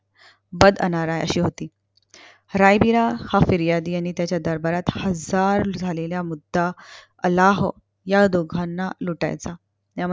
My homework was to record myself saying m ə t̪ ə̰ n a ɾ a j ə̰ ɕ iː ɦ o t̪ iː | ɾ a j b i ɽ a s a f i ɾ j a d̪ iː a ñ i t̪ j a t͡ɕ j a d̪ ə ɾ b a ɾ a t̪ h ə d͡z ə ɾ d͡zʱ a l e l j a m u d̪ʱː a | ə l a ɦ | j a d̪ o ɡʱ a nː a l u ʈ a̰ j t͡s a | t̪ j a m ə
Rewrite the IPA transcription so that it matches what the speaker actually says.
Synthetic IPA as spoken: b ə d̪ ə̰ n a ɾ a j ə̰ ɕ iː ɦ o t̪ iː | ɾ a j b i ɾ a h a f i ɾ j a d̪ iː a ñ i t̪ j a t͡ɕ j a d̪ ə ɾ b a ɾ a t̪ h ə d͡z a ɾ d͡zʱ a l e l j a m u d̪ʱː a | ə l a ɦ | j a d̪ o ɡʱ a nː a l u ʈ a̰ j t͡s a | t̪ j a m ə